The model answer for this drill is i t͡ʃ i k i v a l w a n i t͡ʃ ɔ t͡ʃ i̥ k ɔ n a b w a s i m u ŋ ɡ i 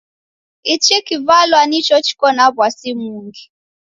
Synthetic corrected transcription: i t͡ʃ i k i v a l w a n i t͡ʃ ɔ t͡ʃ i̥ k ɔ n a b w a s i m u ŋ ɡ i